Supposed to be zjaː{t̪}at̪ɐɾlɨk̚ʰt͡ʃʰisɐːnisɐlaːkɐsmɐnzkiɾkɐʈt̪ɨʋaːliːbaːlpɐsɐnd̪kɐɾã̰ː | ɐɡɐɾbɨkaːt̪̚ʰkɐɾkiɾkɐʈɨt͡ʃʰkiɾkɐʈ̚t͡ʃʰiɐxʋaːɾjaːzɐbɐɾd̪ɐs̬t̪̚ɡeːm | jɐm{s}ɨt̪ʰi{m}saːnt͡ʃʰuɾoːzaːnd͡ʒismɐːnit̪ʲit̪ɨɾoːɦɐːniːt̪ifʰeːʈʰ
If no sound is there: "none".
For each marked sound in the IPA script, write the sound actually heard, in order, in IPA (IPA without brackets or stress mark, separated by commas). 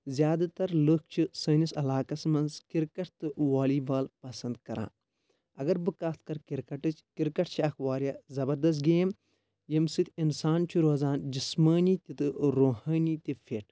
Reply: d̪, s, n